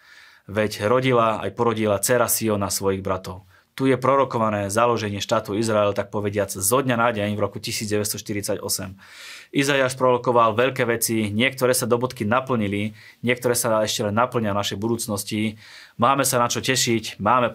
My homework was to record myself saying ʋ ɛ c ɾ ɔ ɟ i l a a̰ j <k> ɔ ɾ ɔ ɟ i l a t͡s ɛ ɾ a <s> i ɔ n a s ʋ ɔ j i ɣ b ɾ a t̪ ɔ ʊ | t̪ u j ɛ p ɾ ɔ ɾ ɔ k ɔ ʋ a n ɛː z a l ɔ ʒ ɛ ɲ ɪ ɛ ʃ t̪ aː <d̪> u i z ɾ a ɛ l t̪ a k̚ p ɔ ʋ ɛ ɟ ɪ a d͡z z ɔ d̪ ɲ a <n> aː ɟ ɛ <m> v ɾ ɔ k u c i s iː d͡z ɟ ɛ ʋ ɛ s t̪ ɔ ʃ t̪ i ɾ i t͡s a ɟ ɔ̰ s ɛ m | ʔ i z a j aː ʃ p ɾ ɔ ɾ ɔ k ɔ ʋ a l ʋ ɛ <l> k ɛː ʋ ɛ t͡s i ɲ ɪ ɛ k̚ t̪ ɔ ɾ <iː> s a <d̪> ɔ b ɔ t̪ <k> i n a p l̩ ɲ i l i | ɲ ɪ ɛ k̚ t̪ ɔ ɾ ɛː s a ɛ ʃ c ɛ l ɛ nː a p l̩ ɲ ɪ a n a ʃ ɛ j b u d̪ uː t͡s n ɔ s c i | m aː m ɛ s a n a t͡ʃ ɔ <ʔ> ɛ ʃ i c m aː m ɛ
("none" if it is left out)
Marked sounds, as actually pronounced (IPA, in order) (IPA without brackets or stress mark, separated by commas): p, s, t̪, n, ɲ, ʎ, ɛː, d̪, k, c